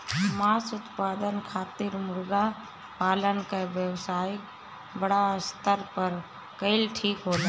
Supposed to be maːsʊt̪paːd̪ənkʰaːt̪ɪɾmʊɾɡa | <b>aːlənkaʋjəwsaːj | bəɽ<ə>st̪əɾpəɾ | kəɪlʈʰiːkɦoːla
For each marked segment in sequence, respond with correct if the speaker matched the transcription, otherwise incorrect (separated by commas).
incorrect, incorrect